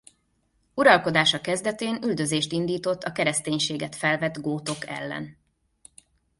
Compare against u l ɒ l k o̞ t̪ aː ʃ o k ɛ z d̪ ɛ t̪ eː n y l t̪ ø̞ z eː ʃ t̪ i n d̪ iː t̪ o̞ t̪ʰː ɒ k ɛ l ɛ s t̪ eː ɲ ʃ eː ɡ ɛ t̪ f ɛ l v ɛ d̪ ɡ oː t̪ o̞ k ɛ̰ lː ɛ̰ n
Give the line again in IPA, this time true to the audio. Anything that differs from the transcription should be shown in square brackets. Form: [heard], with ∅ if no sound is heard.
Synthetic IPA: u [ɾ] ɒ l k o̞ [d̪] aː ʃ [ɒ] k ɛ z d̪ ɛ t̪ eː n y l [d̪] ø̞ z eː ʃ t̪ i n d̪ iː t̪ o̞ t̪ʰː ɒ k ɛ [ɾ] ɛ s t̪ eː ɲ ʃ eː ɡ ɛ t̪ f ɛ l v ɛ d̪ ɡ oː t̪ o̞ k ɛ̰ lː ɛ̰ n

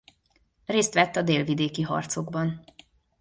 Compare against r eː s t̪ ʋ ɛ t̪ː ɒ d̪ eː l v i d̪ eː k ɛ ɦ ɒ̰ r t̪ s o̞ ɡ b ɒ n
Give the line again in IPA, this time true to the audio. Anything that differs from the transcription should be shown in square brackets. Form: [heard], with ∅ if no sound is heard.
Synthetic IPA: r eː s t̪ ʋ ɛ t̪ː ɒ d̪ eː l v i d̪ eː k [i] ɦ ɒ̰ r t̪ s o̞ ɡ b ɒ n

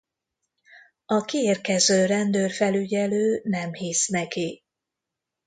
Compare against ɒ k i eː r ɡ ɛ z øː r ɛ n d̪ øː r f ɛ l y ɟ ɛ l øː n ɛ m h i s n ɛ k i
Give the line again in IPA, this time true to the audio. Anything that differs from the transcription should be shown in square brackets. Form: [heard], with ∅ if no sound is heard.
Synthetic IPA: ɒ k i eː r [k] ɛ z øː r ɛ n d̪ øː r f ɛ l y ɟ ɛ l øː n ɛ m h i s n ɛ k i

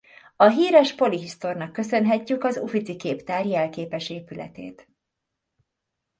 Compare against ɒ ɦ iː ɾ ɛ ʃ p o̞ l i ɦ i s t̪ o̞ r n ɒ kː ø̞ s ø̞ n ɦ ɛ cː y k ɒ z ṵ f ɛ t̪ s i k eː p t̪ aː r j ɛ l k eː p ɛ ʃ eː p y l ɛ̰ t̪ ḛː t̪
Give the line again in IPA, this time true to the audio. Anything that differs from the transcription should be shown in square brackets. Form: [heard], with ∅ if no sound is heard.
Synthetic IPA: ɒ ɦ iː ɾ ɛ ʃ p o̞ l i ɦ i s t̪ o̞ r n ɒ kː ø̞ s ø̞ n ɦ ɛ cː y k ɒ z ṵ f [i] t̪ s i k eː p t̪ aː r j ɛ l k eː p ɛ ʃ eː p y l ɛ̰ t̪ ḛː t̪

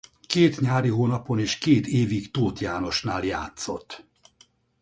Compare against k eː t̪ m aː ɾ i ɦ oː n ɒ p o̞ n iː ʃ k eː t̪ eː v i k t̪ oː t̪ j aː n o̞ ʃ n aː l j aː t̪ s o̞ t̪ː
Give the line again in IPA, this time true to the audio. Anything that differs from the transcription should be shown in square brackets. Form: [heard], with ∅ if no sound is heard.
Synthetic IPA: k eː t̪ [ɲ] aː ɾ i ɦ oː n ɒ p o̞ n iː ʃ k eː t̪ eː v i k t̪ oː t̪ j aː n o̞ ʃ n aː l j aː t̪ s o̞ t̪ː

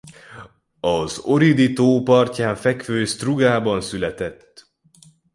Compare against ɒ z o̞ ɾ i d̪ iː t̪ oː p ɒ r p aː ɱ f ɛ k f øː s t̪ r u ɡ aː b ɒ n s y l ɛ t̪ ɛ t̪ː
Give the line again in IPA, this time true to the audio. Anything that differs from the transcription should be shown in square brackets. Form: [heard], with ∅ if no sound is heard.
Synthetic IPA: ɒ z o̞ ɾ i d̪ [i] t̪ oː p ɒ r [c] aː ɱ f ɛ k f øː s t̪ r u ɡ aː b ɒ n s y l ɛ t̪ ɛ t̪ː

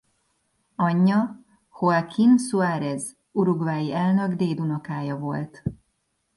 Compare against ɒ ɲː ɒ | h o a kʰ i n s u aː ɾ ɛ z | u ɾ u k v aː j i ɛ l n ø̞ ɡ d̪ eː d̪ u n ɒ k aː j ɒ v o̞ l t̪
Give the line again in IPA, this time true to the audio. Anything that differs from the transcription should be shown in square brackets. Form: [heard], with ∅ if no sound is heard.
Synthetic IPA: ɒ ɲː ɒ | h o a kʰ i n s u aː ɾ ɛ z | u ɾ u [ɡ] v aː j i ɛ l n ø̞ ɡ d̪ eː d̪ u n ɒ k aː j ɒ v o̞ l t̪

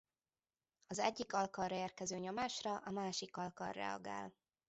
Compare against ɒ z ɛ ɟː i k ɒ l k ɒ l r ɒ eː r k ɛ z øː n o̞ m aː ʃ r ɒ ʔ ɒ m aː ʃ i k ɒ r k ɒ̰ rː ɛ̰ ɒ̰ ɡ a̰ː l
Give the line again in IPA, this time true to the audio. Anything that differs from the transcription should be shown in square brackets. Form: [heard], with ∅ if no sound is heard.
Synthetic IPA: ɒ z ɛ ɟː i k ɒ l k ɒ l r ɒ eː r k ɛ z øː [ɲ] o̞ m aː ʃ r ɒ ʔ ɒ m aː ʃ i k ɒ [l] k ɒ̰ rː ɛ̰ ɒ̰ ɡ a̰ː l

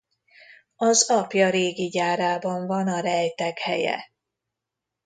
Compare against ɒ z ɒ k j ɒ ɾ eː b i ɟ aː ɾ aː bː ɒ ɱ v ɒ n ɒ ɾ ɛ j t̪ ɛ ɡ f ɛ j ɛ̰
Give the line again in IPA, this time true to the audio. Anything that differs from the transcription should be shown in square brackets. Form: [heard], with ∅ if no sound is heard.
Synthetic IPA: ɒ z ɒ [p] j ɒ ɾ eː [ɡ] i ɟ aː ɾ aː [b] ɒ ɱ v ɒ n ɒ ɾ ɛ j t̪ ɛ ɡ [h] ɛ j ɛ̰

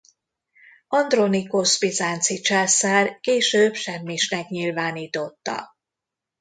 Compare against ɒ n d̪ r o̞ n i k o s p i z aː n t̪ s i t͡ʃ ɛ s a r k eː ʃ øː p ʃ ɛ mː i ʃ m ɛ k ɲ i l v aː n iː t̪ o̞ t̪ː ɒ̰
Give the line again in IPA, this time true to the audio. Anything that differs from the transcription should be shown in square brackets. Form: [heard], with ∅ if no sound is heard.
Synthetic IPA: ɒ n d̪ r o̞ n i k o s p i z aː n t̪ s i t͡ʃ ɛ s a r k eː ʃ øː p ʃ ɛ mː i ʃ [n] ɛ k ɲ i l v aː n iː t̪ o̞ t̪ː ɒ̰

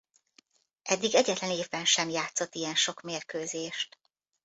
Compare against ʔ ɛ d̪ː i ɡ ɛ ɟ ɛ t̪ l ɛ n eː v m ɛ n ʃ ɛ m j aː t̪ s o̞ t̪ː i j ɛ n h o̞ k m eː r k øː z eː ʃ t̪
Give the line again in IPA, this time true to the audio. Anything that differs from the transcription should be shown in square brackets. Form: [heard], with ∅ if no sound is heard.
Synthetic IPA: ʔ ɛ d̪ː i ɡ ɛ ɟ ɛ t̪ l ɛ n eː v [b] ɛ n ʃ ɛ m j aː t̪ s o̞ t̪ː i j ɛ n [ʃ] o̞ k m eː r k øː z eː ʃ t̪

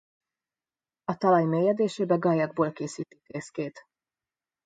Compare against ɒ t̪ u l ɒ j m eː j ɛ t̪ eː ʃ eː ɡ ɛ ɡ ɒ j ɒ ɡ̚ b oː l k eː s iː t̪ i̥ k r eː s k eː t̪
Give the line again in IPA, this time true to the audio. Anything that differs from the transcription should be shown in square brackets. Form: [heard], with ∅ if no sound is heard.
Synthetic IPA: ɒ t̪ [ɒ] l ɒ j m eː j ɛ [d̪] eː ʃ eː [b] ɛ ɡ ɒ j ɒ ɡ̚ b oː l k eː s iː t̪ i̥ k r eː s k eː t̪

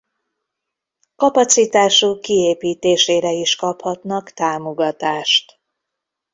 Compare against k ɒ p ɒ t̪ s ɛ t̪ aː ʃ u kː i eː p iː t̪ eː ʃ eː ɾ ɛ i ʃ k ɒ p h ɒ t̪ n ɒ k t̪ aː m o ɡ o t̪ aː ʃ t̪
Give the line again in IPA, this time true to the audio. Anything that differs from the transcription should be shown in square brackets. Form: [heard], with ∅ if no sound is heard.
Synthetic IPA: k ɒ p ɒ t̪ s [i] t̪ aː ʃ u kː i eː p iː t̪ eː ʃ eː ɾ ɛ i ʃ k ɒ p h ɒ t̪ n ɒ k t̪ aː m o ɡ [ɒ] t̪ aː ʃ t̪

